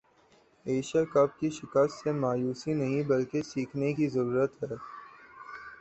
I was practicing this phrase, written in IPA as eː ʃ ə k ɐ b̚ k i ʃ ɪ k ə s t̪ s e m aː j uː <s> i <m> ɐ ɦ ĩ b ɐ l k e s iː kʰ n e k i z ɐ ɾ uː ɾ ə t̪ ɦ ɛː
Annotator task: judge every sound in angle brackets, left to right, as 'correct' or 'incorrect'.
correct, incorrect: n

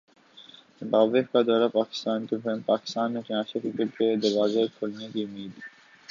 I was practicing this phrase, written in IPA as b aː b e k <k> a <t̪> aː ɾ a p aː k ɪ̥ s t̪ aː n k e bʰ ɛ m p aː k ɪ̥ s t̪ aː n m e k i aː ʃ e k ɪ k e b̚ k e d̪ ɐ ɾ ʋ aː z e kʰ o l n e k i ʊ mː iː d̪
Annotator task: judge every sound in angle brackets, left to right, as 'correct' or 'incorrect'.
correct, incorrect: d̪

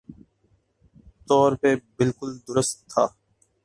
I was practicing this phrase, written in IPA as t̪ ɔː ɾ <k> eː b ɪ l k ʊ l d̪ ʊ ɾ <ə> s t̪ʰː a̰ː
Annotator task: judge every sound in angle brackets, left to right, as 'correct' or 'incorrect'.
incorrect: p, correct

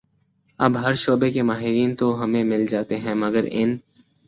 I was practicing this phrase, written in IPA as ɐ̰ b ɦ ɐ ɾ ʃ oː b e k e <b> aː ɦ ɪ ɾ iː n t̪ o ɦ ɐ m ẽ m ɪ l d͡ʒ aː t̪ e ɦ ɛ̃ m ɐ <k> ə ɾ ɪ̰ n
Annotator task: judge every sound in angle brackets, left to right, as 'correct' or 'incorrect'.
incorrect: m, incorrect: ɡ

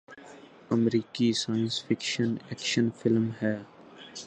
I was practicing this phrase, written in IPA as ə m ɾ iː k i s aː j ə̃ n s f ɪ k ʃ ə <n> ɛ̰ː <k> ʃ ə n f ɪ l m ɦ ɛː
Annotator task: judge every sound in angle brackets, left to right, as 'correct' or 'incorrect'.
correct, correct

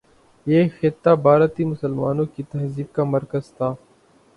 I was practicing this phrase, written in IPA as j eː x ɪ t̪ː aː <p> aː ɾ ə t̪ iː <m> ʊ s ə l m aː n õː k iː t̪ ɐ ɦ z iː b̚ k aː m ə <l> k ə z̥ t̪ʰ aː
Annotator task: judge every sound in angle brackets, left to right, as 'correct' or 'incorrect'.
incorrect: b, correct, incorrect: ɾ

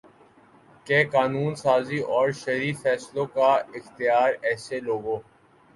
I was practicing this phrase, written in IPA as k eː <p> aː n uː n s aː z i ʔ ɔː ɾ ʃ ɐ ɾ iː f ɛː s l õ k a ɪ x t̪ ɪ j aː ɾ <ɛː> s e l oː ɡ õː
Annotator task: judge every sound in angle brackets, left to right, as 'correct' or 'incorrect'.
incorrect: k, correct

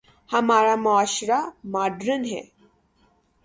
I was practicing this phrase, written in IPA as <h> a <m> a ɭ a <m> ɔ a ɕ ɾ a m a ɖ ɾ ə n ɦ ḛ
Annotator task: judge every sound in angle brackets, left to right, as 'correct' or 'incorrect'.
correct, correct, correct

